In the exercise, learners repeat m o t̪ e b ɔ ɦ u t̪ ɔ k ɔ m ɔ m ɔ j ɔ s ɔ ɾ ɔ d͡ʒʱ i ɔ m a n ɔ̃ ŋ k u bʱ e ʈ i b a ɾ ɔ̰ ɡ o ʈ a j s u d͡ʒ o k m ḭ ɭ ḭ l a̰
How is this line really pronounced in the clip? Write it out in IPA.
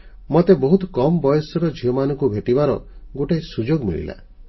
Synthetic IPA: m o t̪ e b ɔ ɦ u t̪ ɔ k ɔ m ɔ b ɔ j ɔ s ɔ ɾ ɔ d͡ʒʱ i ɔ m a n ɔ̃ ŋ k u bʱ e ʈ i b a ɾ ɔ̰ ɡ o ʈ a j s u d͡ʒ o ɡ m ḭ ɭ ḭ l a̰